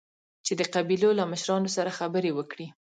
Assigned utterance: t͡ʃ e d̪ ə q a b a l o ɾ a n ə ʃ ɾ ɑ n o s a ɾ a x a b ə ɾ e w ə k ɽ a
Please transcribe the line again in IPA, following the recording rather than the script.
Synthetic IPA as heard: t͡ʃ e d̪ ə q a b i l o l a m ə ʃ ɾ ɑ n o s a ɾ a x a b ə ɾ e w ə k ɽ i